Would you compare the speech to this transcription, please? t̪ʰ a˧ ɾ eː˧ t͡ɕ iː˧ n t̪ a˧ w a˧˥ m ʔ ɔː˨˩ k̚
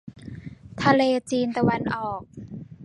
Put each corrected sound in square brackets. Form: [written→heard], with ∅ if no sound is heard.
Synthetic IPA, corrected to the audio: t̪ʰ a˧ [ɾ→l] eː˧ t͡ɕ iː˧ n t̪ a˧ w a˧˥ [m→n] ʔ ɔː˨˩ k̚